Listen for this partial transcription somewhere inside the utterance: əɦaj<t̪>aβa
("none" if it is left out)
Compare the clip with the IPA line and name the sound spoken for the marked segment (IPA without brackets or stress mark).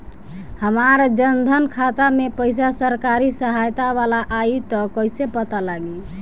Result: t̪